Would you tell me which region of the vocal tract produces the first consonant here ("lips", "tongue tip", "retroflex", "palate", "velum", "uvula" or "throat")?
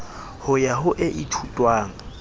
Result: throat